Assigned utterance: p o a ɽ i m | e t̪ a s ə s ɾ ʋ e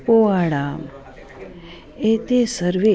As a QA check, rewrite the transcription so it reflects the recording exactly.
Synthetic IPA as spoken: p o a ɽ a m | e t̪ e s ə ɾ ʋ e